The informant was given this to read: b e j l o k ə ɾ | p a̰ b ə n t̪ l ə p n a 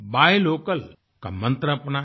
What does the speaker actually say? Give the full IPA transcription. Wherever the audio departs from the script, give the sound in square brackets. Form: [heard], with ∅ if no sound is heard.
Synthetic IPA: b [a] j l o k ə [l] | [k] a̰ [m] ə n t̪ [ɾ] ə p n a

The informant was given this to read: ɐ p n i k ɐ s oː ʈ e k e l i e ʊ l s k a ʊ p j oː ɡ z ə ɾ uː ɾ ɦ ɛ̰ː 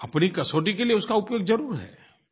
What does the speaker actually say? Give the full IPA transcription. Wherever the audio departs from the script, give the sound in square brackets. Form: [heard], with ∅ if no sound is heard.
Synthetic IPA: ɐ p n i k ɐ s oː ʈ [i] k e l i e ʊ [∅] s k a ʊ p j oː ɡ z [ɐ] ɾ uː ɾ ɦ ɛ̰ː

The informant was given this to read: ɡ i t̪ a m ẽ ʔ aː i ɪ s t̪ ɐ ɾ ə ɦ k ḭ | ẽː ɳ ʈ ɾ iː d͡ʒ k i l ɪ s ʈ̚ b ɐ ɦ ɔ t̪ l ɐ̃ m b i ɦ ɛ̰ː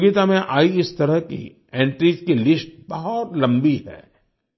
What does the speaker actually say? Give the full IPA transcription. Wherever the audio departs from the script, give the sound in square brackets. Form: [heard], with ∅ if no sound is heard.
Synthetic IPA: ɡ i t̪ a m ẽ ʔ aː i ɪ s t̪ ɐ ɾ ə ɦ k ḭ | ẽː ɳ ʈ ɾ iː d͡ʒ k i l ɪ s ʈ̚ b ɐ ɦ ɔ t̪ l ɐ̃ m b i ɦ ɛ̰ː

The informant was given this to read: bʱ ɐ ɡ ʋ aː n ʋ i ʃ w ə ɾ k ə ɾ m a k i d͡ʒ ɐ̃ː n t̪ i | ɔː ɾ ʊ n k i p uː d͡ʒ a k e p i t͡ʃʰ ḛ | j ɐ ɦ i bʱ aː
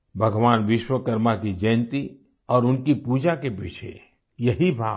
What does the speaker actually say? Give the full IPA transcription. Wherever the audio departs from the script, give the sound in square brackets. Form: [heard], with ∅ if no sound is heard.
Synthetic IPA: bʱ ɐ ɡ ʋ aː n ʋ [ɪ] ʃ w ə [∅] k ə ɾ m a k i d͡ʒ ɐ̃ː n t̪ i | ɔː ɾ ʊ n k i p uː d͡ʒ a k e p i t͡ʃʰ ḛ | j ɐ ɦ i bʱ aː

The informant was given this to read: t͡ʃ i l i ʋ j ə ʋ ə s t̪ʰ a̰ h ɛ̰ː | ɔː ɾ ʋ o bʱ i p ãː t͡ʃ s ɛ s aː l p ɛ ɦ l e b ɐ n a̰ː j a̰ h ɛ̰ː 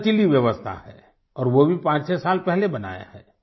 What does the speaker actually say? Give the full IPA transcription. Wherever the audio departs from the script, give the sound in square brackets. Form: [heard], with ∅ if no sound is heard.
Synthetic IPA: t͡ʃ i l i ʋ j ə ʋ ə s t̪ʰ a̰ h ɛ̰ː | ɔː ɾ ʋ o bʱ i p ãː t͡ʃ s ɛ s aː l p ɛ ɦ l e b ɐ n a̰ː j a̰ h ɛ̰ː

